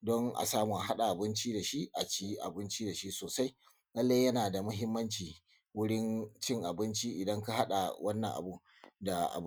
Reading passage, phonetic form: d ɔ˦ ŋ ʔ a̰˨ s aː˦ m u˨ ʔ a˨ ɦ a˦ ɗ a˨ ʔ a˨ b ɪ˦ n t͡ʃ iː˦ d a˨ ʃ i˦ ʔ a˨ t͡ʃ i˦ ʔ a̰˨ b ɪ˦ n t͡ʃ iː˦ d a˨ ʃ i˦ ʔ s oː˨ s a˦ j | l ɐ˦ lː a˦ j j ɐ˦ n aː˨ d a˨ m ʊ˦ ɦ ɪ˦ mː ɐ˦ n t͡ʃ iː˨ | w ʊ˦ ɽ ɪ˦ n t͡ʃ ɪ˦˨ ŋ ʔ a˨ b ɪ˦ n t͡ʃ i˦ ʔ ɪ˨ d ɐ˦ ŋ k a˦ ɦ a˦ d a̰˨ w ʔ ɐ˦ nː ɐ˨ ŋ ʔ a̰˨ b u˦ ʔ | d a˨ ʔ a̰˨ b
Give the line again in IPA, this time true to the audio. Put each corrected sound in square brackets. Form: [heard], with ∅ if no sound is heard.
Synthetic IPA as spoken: d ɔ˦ ŋ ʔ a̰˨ s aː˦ m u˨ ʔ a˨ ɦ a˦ ɗ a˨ ʔ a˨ b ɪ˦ n t͡ʃ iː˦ d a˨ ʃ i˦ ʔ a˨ t͡ʃ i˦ ʔ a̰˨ b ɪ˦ n t͡ʃ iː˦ d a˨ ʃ i˦ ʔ s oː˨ s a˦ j | l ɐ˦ lː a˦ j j ɐ˦ n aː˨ d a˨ m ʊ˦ ɦ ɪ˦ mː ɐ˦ n t͡ʃ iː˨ | w ʊ˦ ɽ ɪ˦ n t͡ʃ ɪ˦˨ ŋ ʔ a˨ b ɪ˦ n t͡ʃ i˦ ʔ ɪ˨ d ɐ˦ ŋ k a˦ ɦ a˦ [ɗ] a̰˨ w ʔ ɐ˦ nː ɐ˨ ŋ ʔ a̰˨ b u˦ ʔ | d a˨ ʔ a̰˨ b